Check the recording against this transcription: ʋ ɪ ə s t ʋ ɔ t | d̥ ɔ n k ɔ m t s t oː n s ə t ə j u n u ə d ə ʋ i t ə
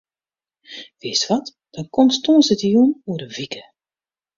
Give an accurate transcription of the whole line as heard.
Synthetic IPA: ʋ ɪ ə s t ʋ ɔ t | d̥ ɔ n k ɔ m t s t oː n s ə t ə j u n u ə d ə v i k ə